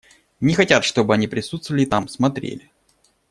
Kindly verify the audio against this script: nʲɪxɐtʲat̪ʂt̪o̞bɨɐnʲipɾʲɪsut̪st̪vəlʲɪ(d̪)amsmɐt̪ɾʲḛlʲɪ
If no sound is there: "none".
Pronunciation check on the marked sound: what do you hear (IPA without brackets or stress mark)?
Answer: t̪